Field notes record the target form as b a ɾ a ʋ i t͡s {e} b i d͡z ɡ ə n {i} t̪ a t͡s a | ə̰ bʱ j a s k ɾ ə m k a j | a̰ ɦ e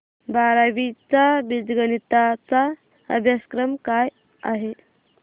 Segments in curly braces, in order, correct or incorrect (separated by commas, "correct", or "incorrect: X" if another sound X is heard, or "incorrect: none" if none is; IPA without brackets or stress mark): incorrect: a, correct